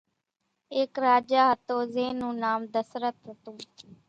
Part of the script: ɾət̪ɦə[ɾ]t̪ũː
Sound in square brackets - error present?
yes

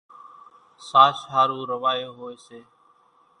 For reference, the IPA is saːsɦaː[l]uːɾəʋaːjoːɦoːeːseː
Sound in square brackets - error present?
yes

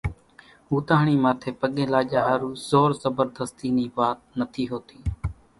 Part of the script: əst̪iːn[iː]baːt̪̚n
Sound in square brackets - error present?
no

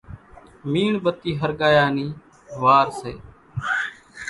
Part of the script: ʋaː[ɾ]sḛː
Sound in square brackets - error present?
no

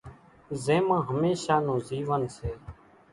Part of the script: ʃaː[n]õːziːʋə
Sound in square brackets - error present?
no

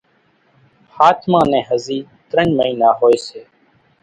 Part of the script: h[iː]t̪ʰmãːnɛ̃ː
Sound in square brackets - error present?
yes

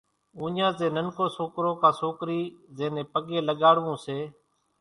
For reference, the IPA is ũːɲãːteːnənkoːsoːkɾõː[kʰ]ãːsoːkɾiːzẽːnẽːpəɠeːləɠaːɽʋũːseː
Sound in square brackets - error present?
yes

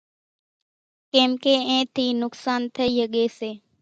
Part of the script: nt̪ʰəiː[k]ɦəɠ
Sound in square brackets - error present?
yes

